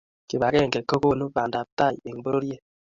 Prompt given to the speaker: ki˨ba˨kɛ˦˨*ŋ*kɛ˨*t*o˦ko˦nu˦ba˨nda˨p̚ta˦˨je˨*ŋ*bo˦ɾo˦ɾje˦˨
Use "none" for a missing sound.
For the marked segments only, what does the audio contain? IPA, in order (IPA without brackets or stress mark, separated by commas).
ŋ, k, ŋ